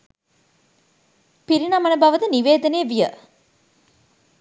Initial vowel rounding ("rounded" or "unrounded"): unrounded